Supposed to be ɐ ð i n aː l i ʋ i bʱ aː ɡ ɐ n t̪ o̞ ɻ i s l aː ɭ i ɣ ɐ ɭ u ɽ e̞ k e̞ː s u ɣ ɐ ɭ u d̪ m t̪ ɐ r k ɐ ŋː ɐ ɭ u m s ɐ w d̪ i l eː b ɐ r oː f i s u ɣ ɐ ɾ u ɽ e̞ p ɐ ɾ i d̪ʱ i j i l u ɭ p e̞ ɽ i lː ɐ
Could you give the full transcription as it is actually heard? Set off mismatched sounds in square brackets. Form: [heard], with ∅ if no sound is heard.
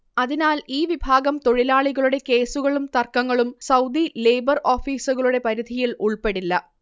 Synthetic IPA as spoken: ɐ ð i n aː l [iː] ʋ i bʱ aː ɡ ɐ [m] t̪ o̞ ɻ i [∅] l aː ɭ i ɣ ɐ ɭ u ɽ e̞ k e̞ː s u ɣ ɐ ɭ u [∅] m t̪ ɐ r k ɐ ŋː ɐ ɭ u m s ɐ w d̪ i l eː b ɐ r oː f [iː] s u ɣ ɐ [ɭ] u ɽ e̞ p ɐ ɾ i d̪ʱ i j i l u ɭ p e̞ ɽ i lː ɐ